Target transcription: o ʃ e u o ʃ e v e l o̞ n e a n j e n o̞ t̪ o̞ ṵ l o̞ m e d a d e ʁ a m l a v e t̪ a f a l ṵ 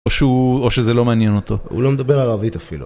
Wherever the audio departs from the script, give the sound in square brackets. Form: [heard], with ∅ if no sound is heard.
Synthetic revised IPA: o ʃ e u o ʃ e [z] e l o̞ [m] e a n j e n o̞ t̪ o̞ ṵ l o̞ m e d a [b] e ʁ a [∅] l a v [i] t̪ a f [i] l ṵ